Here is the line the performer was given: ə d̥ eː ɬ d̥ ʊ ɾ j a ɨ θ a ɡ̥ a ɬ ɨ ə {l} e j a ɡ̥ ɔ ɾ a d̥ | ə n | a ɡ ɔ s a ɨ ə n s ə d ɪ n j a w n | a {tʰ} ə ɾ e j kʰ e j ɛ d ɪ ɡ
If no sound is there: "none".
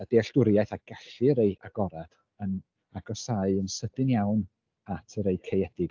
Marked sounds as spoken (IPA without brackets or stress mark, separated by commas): ɾ, tʰ